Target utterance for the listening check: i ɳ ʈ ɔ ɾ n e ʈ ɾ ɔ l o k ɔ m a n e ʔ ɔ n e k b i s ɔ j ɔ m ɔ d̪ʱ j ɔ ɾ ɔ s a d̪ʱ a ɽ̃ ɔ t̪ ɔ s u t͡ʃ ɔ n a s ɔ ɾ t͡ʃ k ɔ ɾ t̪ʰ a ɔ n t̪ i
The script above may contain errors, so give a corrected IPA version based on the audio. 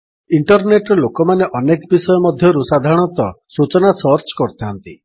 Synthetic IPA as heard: i ɳ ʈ ɔ ɾ n e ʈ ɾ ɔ l o k ɔ m a n e ʔ ɔ n e k b i s ɔ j ɔ m ɔ d̪ʱ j ɔ ɾ u s a d̪ʱ a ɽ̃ ɔ t̪ ɔ s u t͡ʃ ɔ n a s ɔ ɾ t͡ʃ k ɔ ɾ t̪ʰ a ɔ n t̪ i